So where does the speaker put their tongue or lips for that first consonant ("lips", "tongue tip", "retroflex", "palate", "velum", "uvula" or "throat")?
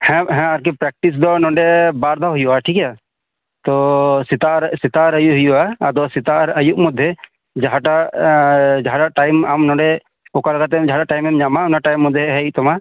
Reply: throat